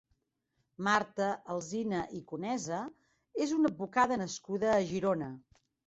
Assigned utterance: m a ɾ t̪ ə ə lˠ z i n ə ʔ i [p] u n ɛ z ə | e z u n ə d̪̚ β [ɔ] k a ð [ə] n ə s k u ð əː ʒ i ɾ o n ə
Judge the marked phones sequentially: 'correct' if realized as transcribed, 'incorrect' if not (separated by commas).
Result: incorrect, incorrect, correct